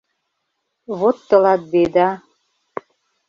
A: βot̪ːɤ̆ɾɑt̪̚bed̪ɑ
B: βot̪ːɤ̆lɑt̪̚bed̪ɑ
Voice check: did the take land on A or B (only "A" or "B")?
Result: B